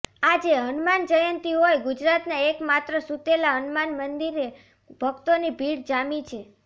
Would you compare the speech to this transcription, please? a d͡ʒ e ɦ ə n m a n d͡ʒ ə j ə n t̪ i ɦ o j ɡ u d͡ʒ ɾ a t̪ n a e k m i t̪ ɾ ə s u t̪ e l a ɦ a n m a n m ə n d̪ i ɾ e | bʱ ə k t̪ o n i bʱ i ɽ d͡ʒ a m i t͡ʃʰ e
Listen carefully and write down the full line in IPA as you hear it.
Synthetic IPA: a d͡ʒ e ɦ ə n m a n d͡ʒ ə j ə n t̪ i ɦ o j ɡ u d͡ʒ ɾ a t̪ n a e k m a t̪ ɾ ə s u t̪ e l a ɦ ə n m a n m ə n d̪ i ɾ e | bʱ ə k t̪ o n i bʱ i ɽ d͡ʒ a m i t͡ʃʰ e